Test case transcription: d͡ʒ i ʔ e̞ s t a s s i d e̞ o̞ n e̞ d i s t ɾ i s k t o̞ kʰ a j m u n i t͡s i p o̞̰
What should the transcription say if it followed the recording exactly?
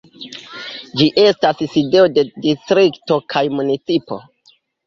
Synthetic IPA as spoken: d͡ʒ i ʔ e̞ s t a s s i d e̞ o̞ d e̞ d i s t ɾ i k t o̞ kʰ a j m u n i t͡s i p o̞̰